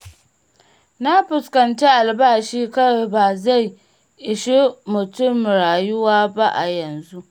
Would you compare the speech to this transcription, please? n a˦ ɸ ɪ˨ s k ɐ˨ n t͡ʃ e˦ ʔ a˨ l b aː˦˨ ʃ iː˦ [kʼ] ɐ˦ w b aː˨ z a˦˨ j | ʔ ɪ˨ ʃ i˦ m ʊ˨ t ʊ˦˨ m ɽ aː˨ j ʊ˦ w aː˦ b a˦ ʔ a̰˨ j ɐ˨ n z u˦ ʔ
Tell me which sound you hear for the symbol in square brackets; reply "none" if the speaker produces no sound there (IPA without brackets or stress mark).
k